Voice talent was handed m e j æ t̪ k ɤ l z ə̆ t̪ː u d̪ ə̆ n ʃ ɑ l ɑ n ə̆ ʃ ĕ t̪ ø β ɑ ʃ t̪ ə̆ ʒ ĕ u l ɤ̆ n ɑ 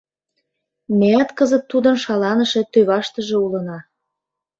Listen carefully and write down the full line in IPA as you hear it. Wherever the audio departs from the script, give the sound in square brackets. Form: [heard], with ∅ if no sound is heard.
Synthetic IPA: m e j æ t̪ k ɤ [∅] z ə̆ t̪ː u d̪ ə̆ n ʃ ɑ l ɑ n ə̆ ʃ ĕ t̪ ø β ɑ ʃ t̪ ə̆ ʒ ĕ u l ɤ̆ n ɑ